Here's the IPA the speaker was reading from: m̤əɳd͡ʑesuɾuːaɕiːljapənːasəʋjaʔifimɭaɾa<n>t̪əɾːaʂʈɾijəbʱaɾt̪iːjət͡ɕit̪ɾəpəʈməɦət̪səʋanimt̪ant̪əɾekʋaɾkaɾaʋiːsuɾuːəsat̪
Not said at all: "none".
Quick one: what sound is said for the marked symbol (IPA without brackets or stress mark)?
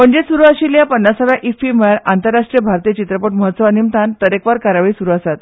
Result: n